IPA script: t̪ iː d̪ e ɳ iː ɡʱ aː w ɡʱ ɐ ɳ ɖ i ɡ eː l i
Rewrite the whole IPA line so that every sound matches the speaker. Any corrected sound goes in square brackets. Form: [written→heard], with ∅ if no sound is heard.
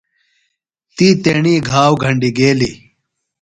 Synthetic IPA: t̪ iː [d̪→t̪] e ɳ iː ɡʱ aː w ɡʱ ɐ ɳ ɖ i ɡ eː l i